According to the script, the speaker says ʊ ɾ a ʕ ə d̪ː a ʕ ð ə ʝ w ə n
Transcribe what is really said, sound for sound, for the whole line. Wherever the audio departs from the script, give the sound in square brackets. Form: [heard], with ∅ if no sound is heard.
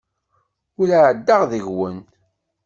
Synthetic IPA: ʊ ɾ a ʕ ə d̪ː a [ʁ] ð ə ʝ w ə n